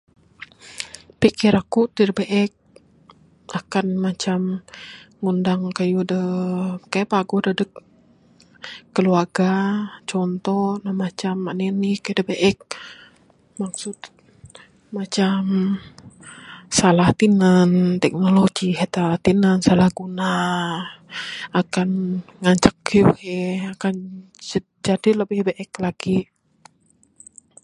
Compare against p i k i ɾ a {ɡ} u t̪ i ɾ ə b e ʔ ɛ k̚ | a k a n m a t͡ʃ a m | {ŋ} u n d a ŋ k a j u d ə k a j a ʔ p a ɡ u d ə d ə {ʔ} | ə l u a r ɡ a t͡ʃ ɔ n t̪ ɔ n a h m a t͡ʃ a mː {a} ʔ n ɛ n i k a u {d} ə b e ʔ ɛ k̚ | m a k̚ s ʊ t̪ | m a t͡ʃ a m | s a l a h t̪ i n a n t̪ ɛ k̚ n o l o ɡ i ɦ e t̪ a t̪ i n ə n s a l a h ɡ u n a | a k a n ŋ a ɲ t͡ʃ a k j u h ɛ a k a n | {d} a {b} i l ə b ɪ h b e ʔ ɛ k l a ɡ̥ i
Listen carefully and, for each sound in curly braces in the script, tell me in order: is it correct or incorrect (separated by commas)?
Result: incorrect, correct, incorrect, correct, correct, incorrect, incorrect